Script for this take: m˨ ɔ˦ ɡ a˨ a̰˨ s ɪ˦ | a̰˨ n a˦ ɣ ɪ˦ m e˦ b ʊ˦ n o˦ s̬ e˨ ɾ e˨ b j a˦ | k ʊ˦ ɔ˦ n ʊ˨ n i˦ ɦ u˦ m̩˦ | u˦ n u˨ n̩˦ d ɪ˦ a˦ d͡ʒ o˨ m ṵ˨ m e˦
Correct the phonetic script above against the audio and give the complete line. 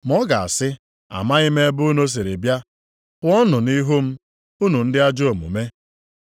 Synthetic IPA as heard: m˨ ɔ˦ ɡ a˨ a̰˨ s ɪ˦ | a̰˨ m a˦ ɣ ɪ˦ m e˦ b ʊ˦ n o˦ s̬ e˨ ɾ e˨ b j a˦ | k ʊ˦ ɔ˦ n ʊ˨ n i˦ ɦ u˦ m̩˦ | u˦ n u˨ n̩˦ d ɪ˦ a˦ d͡ʒ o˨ m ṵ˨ m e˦